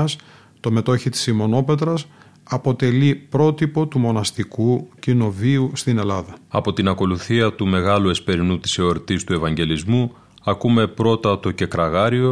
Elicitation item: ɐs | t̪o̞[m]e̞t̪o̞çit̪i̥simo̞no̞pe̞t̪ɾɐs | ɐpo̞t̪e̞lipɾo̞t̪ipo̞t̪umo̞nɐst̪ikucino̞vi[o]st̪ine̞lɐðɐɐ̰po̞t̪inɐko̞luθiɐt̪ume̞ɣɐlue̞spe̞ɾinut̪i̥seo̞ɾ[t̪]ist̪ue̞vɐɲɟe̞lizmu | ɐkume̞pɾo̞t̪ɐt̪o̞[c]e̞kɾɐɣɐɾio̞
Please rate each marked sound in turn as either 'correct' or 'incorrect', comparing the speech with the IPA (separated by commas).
correct, incorrect, correct, correct